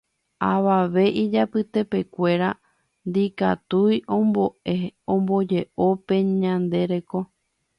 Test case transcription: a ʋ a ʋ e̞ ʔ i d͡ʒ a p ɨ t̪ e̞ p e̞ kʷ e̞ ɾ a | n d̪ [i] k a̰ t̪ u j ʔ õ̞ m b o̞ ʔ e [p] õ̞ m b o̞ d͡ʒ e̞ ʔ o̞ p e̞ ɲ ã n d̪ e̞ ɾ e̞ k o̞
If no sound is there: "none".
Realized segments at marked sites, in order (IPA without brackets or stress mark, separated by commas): i, none